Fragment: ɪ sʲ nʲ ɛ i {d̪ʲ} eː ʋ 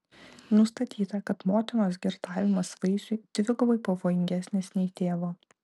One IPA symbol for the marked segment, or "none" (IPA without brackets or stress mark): t̪ʲ